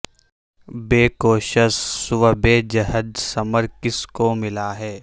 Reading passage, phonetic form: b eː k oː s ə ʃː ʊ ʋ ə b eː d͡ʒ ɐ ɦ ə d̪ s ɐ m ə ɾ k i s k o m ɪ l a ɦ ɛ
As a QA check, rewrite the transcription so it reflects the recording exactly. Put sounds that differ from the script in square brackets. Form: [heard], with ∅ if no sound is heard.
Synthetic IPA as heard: b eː k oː [ʃ] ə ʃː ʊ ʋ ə b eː d͡ʒ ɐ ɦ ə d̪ s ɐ m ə ɾ k [ɪ] s k o m ɪ l a ɦ [ɛː]